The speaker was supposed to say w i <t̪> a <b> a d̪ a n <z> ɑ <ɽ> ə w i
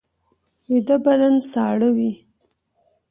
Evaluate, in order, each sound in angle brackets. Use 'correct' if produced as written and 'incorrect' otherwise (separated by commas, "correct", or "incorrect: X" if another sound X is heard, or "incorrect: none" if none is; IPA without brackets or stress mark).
incorrect: d̪, correct, incorrect: s, correct